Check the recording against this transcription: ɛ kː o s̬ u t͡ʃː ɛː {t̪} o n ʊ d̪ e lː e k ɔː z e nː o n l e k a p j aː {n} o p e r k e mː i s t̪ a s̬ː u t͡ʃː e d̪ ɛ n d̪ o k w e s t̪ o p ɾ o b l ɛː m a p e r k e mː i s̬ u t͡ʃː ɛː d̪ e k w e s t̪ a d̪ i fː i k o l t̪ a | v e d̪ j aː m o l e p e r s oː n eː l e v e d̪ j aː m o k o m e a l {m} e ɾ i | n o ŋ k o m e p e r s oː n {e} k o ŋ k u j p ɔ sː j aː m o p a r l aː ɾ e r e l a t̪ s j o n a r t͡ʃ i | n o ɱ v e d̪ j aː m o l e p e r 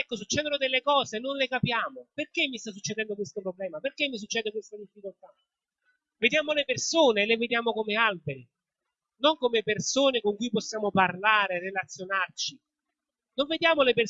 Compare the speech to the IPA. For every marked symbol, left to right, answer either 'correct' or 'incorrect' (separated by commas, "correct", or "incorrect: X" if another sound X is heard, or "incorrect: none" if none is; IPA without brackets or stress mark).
incorrect: d̪, incorrect: m, incorrect: b, correct